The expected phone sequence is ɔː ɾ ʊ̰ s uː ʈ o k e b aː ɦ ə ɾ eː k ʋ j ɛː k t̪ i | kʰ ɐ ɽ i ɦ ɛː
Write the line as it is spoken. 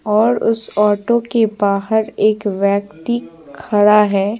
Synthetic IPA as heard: ɔː ɾ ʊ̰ s ɔː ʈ o k e b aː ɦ ə ɾ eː k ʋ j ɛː k t̪ i | kʰ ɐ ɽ a ɦ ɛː